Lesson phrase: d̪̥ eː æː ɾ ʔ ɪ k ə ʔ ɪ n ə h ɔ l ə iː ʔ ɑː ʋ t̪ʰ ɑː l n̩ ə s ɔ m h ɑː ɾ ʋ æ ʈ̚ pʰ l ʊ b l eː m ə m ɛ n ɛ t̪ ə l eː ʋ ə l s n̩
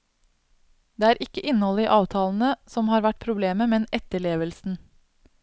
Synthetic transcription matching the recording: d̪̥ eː æː ɾ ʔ ɪ k ə ʔ ɪ n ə h ɔ l ə iː ʔ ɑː ʋ t̪ʰ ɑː l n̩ ə s ɔ m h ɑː ɾ ʋ æ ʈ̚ pʰ ɾ ʊ b l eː m ə m ɛ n ɛ t̪ ə ɭ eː ʋ ə l s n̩